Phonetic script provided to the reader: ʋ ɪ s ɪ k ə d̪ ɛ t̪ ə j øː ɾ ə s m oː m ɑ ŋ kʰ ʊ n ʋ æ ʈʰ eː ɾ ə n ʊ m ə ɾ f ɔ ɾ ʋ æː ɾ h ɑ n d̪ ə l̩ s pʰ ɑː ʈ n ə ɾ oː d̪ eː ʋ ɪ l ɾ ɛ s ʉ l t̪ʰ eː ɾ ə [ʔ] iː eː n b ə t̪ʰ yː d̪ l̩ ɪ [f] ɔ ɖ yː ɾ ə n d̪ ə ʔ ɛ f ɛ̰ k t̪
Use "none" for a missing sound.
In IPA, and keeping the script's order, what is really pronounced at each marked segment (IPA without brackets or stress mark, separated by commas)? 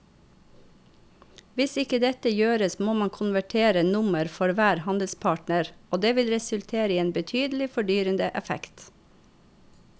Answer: none, f